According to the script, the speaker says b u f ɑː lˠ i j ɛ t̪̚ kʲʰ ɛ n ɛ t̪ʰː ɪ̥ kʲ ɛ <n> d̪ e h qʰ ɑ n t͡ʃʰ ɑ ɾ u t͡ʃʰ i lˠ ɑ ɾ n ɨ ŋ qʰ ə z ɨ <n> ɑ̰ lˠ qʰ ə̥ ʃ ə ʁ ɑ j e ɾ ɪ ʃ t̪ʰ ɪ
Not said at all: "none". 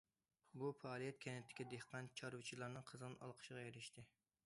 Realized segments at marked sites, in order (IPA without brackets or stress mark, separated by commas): none, n